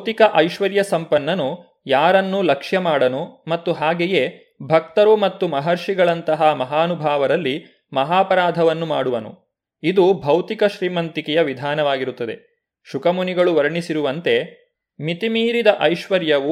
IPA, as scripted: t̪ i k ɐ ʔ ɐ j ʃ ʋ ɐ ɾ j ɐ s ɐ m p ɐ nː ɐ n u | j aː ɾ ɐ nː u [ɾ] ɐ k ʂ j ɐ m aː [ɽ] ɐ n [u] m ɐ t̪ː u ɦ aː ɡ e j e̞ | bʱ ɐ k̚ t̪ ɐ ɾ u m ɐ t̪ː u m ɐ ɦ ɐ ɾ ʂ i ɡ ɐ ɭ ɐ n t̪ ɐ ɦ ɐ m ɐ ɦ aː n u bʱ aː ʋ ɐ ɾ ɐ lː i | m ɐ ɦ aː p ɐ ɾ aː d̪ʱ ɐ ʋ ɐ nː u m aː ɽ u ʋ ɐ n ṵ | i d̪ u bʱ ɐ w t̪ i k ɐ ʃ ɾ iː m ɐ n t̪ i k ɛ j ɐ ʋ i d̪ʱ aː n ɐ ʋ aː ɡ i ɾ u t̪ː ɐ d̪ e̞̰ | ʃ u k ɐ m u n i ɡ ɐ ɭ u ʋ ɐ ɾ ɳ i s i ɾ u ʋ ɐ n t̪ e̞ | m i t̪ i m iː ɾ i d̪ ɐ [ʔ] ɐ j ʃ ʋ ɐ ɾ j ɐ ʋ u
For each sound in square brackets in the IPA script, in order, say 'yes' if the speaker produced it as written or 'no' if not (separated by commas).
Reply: no, yes, yes, yes